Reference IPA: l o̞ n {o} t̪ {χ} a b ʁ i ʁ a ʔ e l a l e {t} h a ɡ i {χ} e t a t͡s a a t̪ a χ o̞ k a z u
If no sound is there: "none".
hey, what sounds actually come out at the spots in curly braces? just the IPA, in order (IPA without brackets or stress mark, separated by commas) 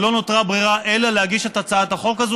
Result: o, ʁ, none, ʃ